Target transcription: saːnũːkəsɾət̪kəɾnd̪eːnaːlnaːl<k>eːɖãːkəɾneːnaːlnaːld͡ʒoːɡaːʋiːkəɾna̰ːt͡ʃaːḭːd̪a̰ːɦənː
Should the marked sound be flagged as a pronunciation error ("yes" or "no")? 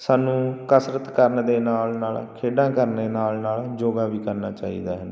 yes